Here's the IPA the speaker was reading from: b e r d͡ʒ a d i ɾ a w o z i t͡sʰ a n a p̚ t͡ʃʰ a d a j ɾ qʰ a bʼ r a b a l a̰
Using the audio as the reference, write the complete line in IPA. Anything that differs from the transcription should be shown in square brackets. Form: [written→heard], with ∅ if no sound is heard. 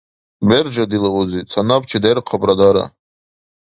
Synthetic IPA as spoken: b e r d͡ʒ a d i [ɾ→l] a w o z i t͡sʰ a n a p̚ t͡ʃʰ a d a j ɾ qʰ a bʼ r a [b→d] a [l→ɾ] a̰

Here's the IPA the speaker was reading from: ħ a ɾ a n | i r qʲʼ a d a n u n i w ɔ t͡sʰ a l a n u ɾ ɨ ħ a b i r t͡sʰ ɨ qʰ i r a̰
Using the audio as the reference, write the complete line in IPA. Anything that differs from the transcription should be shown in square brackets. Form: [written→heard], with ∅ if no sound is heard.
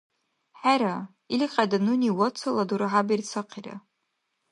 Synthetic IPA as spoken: ħ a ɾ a [n→∅] | i [r→l] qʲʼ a d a n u n i w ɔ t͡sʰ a l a [n→d] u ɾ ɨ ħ a b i r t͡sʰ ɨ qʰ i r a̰

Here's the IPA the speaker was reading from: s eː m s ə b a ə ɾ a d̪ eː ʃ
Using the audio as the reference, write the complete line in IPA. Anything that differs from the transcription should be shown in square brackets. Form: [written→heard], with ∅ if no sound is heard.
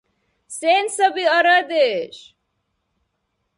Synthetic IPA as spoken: s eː [m→n] s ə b [a→i] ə ɾ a d̪ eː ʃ

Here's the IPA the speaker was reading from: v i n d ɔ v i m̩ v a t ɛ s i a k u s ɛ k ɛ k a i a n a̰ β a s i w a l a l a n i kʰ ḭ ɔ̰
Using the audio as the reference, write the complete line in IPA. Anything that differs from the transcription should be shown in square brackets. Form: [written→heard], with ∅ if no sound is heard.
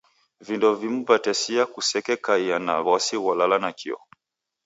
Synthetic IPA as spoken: v i n d ɔ v i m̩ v a t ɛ s i a k u s ɛ k ɛ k a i a n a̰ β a s i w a l a l a n [i→a] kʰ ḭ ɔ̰

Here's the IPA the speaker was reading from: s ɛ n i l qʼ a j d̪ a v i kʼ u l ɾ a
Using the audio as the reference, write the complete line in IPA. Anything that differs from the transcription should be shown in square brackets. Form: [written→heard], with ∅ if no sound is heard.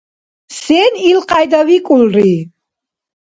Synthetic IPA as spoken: s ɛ n i l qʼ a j d̪ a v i kʼ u l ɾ [a→i]

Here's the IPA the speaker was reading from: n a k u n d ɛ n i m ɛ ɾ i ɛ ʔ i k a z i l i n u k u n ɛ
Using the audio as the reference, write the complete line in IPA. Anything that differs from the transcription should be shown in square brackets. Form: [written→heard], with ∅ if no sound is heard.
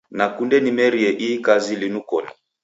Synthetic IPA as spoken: n a k u n d ɛ n i m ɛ ɾ i ɛ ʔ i k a z i l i n u k [u→ɔ] n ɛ

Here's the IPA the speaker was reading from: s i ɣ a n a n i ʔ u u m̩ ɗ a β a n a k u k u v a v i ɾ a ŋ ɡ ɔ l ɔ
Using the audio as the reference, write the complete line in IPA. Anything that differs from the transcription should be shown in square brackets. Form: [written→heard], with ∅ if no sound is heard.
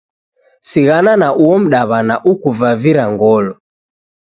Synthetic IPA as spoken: s i ɣ a n a n [i→a] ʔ u [u→ɔ] m̩ ɗ a β a n a [k→ʔ] u k u v a v i ɾ a ŋ ɡ ɔ l ɔ

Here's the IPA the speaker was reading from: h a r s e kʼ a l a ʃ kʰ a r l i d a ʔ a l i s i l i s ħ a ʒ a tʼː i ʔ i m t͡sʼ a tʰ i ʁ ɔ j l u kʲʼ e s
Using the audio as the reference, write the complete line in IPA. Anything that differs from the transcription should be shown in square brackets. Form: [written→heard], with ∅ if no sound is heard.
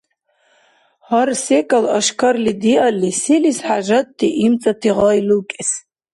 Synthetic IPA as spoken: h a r s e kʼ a l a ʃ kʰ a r l i d [a→i] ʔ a l i s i l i s ħ a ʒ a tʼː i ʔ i m t͡sʼ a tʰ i ʁ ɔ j l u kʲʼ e s

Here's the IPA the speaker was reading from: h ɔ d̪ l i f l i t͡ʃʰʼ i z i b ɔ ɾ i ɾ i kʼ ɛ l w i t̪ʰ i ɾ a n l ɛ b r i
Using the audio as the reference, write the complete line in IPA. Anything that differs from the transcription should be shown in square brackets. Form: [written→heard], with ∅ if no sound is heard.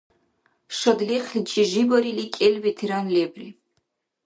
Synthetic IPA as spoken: [h→ʃ] ɔ d̪ l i [f→χ] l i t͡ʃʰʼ i [z→ʒ] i b ɔ ɾ i [ɾ→l] i kʼ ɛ l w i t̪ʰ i ɾ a n l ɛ b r i

